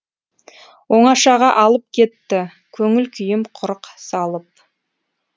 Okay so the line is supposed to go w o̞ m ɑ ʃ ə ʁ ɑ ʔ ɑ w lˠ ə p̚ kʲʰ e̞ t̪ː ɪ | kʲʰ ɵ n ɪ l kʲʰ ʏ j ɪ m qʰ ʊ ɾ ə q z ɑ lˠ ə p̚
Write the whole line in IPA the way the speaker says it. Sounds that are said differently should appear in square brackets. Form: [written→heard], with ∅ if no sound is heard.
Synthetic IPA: w o̞ [m→ɴ] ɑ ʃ [ə→ɑ] ʁ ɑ ʔ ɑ [w→∅] lˠ ə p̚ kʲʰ e̞ t̪ː ɪ | kʲʰ ɵ [n→ŋ] ɪ l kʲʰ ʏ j ɪ m qʰ ʊ ɾ ə q [z→s] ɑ lˠ ə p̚